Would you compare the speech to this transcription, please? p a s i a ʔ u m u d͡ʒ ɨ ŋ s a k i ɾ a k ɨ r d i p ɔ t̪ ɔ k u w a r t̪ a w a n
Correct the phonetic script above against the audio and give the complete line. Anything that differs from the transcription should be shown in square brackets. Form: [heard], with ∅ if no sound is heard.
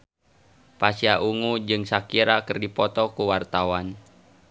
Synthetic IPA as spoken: p a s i a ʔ u [ŋ] u d͡ʒ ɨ ŋ s a k i ɾ a k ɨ r d i p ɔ t̪ ɔ k u w a r t̪ a w a n